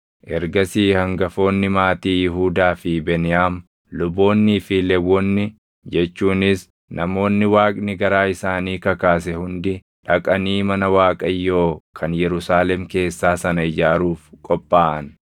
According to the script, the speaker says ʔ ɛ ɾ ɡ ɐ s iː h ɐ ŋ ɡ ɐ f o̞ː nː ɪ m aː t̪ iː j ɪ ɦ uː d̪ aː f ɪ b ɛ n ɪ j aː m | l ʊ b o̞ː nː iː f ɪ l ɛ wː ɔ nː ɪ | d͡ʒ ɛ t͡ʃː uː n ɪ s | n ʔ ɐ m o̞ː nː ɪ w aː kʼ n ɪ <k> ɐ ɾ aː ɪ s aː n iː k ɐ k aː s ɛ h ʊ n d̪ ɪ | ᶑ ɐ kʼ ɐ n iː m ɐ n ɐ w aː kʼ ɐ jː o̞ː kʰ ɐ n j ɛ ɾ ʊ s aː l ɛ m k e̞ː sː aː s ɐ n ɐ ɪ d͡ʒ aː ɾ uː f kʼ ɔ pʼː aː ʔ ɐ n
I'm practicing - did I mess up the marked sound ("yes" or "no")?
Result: yes